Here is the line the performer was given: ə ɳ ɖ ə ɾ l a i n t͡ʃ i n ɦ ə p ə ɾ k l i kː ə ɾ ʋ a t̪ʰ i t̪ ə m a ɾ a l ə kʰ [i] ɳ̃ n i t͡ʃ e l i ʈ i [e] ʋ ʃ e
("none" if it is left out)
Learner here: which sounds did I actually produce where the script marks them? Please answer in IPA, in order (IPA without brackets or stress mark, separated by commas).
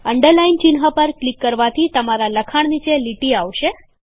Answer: a, a